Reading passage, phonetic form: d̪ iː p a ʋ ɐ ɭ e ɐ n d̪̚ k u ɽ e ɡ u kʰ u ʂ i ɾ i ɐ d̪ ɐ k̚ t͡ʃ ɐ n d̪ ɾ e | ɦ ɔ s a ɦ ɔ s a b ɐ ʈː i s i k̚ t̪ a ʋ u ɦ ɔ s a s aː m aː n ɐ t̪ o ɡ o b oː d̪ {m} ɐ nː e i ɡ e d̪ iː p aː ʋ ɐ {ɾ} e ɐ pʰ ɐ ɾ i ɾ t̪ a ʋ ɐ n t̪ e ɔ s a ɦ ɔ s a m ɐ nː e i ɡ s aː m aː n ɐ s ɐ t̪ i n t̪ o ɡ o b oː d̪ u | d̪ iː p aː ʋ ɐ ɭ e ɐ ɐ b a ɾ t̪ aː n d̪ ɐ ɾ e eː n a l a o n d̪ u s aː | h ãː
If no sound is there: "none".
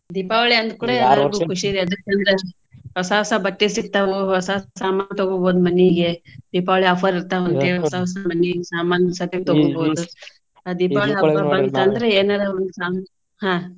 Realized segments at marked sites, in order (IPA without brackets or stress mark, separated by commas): m, ɭ